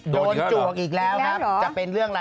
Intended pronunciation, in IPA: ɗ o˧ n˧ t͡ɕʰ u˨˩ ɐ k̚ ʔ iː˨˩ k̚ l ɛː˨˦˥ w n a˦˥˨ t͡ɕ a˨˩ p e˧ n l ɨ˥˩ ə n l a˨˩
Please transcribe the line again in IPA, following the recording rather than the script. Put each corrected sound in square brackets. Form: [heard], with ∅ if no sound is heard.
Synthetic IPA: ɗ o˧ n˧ [t͡ɕ] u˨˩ [ə] k̚ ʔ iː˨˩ k̚ l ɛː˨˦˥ w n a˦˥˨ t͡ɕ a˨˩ p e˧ n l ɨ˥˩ ə [ŋ] l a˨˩